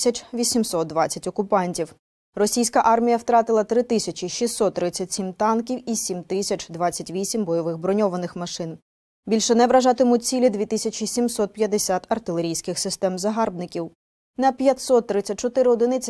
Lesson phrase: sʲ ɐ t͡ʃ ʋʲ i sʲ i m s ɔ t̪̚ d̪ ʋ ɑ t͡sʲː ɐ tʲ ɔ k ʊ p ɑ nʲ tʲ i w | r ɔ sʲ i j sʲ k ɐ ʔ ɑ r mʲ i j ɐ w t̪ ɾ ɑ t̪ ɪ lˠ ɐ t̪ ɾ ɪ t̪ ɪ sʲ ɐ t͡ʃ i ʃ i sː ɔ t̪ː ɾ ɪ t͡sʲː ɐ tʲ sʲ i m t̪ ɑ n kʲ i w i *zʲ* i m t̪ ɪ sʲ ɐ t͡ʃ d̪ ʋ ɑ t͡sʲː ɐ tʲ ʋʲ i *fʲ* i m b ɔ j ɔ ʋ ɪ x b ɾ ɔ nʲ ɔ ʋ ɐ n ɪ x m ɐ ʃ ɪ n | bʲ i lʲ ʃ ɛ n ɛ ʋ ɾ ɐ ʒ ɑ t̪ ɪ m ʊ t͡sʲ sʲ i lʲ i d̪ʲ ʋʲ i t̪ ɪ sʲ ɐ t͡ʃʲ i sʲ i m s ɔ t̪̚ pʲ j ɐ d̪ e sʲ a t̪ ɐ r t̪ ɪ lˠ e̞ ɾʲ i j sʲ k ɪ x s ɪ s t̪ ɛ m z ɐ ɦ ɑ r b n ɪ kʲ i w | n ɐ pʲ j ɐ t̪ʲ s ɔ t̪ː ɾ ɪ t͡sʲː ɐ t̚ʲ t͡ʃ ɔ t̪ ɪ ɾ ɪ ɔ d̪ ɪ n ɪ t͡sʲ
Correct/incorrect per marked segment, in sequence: incorrect: sʲ, incorrect: sʲ

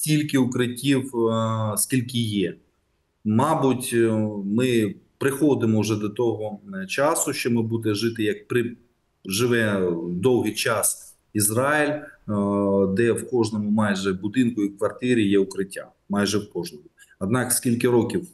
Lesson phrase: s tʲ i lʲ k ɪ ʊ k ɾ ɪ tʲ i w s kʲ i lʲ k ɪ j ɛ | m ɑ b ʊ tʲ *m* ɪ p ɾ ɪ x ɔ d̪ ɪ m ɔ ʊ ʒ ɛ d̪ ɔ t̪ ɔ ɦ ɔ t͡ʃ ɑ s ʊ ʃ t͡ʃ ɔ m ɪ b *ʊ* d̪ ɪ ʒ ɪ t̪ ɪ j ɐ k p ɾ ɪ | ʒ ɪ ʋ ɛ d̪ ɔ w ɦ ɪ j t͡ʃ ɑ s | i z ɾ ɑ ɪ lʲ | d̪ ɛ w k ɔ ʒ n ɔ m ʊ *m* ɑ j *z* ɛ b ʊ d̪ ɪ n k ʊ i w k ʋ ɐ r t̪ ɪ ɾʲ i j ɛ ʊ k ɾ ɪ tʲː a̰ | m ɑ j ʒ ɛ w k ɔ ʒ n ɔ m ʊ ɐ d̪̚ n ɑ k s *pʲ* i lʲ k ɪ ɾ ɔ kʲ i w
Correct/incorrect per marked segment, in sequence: correct, incorrect: u, correct, incorrect: ʒ, incorrect: kʲ

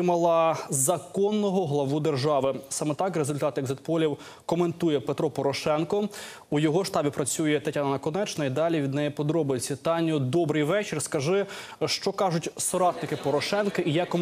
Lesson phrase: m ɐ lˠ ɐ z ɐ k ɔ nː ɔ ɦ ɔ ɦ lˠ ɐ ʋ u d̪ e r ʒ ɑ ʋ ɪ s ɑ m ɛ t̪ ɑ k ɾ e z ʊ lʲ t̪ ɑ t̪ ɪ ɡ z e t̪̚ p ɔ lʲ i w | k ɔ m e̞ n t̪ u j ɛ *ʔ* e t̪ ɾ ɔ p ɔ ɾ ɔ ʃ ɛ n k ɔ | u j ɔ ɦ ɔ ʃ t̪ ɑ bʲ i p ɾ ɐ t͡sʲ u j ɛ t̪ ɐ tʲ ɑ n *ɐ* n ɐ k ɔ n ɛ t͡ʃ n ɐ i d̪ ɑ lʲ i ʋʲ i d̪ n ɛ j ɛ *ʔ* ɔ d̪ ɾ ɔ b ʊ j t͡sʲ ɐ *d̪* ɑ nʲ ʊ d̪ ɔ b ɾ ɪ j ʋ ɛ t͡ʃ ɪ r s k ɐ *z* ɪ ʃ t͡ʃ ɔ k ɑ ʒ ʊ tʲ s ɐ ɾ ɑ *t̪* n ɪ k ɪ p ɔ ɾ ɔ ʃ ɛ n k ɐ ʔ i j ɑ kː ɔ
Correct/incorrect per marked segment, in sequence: incorrect: p, correct, incorrect: p, incorrect: t̪, incorrect: ʒ, correct

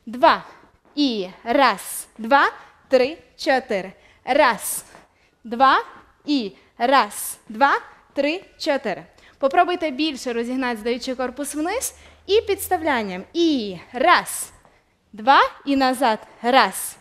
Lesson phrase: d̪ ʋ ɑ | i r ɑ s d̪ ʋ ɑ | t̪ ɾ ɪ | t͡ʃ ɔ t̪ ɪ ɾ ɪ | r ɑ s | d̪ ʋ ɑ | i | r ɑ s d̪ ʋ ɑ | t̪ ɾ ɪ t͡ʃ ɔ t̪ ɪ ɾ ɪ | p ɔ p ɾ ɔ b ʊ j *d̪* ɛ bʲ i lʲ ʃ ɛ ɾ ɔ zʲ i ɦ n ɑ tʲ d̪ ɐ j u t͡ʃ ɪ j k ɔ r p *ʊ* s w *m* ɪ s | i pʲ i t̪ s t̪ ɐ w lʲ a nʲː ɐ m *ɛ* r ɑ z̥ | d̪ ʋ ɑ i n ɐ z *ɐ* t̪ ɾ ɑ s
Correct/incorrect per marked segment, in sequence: incorrect: t̪, correct, incorrect: n, incorrect: i, incorrect: ɑ

